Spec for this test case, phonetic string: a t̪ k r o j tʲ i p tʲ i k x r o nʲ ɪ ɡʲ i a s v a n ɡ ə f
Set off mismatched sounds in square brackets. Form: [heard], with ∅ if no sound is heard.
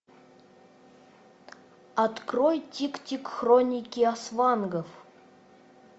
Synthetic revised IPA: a t̪ k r o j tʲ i [k] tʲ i k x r o nʲ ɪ [kʲ] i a s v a n ɡ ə f